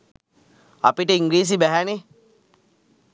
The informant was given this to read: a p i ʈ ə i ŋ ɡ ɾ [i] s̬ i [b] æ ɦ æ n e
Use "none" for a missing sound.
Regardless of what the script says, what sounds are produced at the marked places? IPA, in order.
iː, b

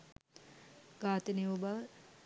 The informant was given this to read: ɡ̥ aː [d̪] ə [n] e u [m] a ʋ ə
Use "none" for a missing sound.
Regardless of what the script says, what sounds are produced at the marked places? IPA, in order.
t̪, n, b

